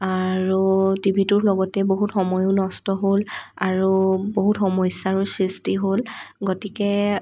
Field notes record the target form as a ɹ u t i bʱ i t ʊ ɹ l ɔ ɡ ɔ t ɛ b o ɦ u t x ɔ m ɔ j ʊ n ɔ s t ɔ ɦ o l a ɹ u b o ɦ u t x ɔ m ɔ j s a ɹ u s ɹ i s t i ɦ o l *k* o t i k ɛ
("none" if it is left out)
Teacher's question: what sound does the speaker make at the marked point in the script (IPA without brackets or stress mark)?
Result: ɡ